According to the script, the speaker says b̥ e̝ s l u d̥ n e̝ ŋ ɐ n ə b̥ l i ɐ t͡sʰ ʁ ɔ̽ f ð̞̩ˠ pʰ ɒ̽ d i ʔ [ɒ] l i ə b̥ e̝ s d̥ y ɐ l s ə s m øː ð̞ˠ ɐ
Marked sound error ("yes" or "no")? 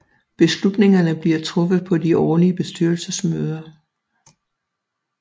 yes